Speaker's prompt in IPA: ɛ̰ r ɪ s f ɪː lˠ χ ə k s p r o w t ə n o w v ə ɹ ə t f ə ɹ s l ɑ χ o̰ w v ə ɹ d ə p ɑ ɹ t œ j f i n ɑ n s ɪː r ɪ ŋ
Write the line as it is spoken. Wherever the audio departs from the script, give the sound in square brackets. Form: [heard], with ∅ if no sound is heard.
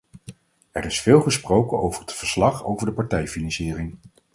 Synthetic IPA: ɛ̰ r ɪ s f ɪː lˠ χ ə [∅] s p r o w [k] ə n o w v ə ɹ ə t f ə ɹ s l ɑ χ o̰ w v ə ɹ d ə p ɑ ɹ t [ɛ] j f i n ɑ n s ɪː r ɪ ŋ